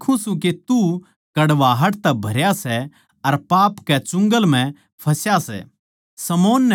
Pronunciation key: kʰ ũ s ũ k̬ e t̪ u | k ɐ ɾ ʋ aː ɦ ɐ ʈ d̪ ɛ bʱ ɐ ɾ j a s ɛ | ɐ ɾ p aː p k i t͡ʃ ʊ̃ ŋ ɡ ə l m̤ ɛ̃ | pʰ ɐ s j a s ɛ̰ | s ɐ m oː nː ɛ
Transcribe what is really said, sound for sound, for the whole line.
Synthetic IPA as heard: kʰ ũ s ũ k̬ e t̪ u | k ɐ ɽ ʋ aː ɦ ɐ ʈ t̪ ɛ bʱ ɐ ɾ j a s ɛ | ɐ ɾ p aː p k ɛ t͡ʃ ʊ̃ ŋ ɡ ə l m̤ ɛ̃ | pʰ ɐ s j a s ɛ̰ | s ɐ m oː nː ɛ